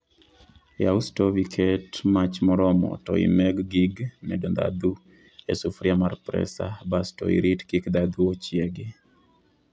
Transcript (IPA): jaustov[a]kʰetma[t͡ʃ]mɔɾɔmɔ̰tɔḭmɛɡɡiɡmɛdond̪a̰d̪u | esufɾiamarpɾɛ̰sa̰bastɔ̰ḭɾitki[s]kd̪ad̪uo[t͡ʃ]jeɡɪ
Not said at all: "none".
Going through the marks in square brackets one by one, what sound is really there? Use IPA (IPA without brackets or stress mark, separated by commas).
i, t͡ʃ, none, t͡ʃ